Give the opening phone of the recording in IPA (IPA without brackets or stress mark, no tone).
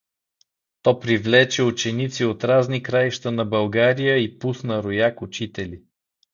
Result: t̪